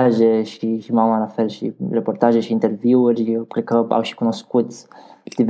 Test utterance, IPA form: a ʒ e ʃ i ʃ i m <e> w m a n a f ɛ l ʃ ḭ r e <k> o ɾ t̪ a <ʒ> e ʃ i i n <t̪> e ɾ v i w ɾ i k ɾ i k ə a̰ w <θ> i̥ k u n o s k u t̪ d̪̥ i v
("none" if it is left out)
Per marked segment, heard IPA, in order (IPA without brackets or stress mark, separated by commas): a, p, ʒ, t̪, ʃ